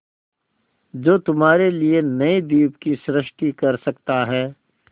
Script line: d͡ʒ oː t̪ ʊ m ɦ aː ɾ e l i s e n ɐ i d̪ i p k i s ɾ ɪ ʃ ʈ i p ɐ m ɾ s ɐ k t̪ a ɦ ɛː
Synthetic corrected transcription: d͡ʒ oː t̪ ʊ m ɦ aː ɾ e l i e n ɐ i d̪ iː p k i s ɾ ɪ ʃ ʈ i k ɐ ɾ s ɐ k t̪ a ɦ ɛː